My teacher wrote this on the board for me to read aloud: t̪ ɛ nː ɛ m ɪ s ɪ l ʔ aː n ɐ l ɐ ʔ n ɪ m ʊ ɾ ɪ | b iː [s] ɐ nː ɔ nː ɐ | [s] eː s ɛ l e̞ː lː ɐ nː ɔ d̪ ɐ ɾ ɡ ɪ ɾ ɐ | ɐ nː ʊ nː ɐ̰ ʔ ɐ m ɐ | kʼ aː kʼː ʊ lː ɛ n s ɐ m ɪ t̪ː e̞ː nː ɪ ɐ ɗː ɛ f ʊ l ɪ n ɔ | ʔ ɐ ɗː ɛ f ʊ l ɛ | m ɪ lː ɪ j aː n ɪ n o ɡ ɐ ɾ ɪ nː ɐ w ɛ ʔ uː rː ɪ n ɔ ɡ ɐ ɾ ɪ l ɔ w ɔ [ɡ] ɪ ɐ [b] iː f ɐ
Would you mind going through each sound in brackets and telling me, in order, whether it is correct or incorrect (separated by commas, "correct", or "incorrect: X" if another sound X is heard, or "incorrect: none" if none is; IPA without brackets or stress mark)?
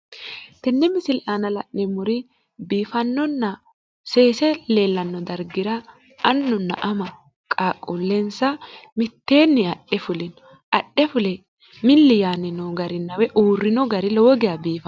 incorrect: f, correct, correct, correct